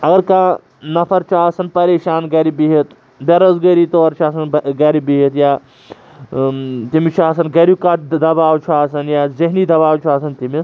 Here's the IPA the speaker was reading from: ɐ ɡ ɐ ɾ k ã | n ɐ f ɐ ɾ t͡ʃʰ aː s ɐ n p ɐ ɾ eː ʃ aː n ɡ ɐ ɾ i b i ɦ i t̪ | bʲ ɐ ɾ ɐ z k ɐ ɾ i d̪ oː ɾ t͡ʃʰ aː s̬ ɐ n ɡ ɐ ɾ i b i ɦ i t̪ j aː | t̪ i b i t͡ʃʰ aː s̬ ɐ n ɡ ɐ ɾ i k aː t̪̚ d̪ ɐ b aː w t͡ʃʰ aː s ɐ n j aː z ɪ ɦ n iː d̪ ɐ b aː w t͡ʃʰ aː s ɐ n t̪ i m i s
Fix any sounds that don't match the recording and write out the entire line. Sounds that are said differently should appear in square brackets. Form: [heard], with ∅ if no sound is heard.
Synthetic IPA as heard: ɐ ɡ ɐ ɾ k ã | n ɐ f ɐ ɾ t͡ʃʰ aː s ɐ n p ɐ ɾ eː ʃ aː n ɡ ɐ ɾ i b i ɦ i t̪ | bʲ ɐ ɾ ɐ z [ɡ] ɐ ɾ i [t̪] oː ɾ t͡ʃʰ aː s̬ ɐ n ɡ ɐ ɾ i b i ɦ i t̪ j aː | t̪ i [m] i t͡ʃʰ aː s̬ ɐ n ɡ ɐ ɾ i k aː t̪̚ d̪ ɐ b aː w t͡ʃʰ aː s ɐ n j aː z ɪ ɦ n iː d̪ ɐ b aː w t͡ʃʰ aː s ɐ n t̪ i m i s